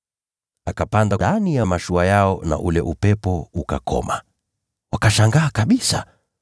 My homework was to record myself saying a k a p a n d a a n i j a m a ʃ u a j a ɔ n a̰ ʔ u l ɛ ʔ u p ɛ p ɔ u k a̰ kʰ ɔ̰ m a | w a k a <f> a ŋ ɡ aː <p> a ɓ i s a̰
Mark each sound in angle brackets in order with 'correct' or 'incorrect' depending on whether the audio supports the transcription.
incorrect, incorrect

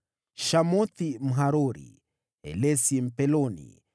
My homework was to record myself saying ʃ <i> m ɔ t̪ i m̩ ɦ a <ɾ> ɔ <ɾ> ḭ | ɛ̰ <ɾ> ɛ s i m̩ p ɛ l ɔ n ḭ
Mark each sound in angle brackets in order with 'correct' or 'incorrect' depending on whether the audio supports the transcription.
incorrect, correct, correct, incorrect

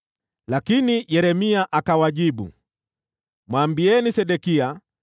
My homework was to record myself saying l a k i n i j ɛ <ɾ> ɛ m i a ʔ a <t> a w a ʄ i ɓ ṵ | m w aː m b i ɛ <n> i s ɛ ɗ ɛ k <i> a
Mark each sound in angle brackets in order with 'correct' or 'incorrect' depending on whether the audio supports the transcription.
correct, incorrect, correct, correct

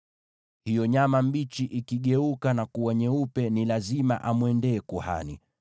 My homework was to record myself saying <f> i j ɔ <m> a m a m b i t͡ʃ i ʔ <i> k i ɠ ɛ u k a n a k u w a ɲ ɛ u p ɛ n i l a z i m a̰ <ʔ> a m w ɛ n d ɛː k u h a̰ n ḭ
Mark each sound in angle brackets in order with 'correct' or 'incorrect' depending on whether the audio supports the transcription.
incorrect, incorrect, correct, correct

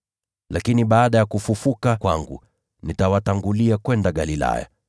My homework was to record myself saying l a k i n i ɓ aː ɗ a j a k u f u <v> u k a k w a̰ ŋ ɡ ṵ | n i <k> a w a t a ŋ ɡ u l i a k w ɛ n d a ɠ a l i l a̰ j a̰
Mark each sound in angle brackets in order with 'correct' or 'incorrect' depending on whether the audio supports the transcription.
incorrect, incorrect

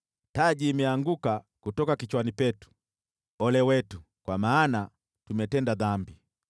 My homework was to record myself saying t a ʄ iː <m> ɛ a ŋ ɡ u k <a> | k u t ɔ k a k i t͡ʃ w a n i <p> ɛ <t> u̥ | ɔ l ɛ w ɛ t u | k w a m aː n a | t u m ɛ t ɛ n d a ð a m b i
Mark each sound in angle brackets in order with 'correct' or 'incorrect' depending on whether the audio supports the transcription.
correct, correct, correct, correct

